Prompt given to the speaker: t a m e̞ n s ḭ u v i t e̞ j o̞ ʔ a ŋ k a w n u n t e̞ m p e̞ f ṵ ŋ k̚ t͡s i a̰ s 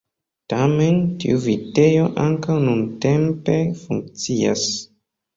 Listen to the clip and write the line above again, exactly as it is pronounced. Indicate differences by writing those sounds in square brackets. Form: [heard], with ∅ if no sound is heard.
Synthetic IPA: t a m e̞ n [t] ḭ u v i t e̞ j o̞ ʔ a ŋ k a w n u n t e̞ m p e̞ f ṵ ŋ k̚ t͡s i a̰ s